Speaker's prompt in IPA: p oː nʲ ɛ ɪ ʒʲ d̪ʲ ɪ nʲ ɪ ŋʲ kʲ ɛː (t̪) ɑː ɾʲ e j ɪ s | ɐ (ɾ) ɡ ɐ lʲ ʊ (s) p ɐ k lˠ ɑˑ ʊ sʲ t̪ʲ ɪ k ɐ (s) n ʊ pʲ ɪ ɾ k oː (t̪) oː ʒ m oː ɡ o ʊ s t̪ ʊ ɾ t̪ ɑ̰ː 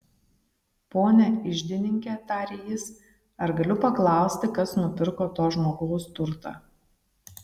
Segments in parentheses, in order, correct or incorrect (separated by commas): correct, correct, incorrect, correct, correct